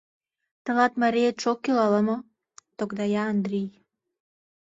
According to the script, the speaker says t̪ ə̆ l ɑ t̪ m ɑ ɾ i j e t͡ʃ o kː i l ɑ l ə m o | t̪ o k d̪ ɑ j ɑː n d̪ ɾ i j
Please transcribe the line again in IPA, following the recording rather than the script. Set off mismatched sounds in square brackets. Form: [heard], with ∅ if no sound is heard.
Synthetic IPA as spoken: t̪ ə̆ l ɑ t̪ m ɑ ɾ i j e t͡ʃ o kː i l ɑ l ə m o | t̪ o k d̪ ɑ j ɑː n d̪ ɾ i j